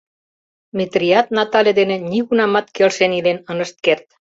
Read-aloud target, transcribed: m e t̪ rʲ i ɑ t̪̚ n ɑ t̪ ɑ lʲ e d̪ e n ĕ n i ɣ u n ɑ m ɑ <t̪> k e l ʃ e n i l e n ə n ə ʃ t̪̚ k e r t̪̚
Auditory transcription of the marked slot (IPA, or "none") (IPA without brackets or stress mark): t̪